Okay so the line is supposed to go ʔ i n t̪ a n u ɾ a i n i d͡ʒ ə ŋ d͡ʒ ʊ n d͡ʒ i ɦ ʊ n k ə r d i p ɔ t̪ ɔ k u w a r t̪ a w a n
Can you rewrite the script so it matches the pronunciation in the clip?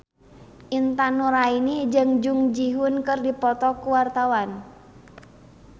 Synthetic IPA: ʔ i n t̪ a n u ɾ a i n i d͡ʒ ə ŋ d͡ʒ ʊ ŋ d͡ʒ i ɦ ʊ n k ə r d i p ɔ t̪ ɔ k u w a r t̪ a w a n